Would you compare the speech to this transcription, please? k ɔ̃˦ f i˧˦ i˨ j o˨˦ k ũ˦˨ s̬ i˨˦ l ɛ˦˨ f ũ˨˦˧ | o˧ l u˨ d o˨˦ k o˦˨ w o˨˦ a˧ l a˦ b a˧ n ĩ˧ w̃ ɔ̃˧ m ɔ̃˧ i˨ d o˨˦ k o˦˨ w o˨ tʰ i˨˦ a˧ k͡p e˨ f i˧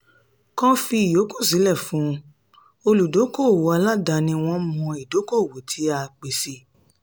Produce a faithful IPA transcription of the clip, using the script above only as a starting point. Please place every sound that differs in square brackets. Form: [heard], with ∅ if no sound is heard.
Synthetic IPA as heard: k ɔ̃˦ f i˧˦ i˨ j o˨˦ k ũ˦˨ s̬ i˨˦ l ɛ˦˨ f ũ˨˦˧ | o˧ l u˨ d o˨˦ k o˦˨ w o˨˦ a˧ l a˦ [d] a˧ n ĩ˧ w̃ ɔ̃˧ m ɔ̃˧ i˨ d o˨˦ k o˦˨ w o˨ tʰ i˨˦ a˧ k͡p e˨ [s] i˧